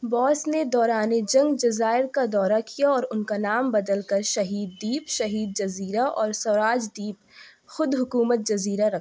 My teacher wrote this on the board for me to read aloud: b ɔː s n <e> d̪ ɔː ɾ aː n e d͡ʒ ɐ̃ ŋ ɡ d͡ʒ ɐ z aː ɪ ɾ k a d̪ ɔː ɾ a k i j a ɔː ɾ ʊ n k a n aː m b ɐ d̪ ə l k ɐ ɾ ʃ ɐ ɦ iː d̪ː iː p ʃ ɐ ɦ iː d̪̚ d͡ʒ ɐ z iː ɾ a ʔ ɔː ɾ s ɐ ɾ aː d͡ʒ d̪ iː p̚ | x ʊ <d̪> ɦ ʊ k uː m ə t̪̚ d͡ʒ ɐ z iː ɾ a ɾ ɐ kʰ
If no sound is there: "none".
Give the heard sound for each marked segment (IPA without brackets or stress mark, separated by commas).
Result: e, d̪